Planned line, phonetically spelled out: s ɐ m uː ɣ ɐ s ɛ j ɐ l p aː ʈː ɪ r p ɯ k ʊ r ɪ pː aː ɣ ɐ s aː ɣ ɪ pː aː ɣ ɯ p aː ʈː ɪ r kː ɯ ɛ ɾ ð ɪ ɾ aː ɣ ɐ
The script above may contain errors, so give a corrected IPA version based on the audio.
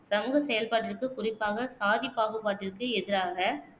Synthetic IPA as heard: s ɐ m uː ɣ ɐ s ɛ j ɐ l p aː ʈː ɪ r k ɯ k ʊ r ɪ pː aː ɣ ɐ s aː ð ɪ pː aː ɣ ɯ p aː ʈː ɪ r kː ɯ ɛ ð ɪ ɾ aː ɣ ɐ